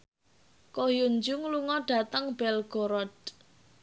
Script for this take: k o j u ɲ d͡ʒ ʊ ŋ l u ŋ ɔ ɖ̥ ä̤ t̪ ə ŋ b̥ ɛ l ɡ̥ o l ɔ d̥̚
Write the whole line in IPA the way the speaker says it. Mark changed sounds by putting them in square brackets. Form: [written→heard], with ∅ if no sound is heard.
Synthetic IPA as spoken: k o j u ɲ d͡ʒ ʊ ŋ l u ŋ ɔ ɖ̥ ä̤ t̪ ə ŋ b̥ ɛ l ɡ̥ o [l→ɾ] ɔ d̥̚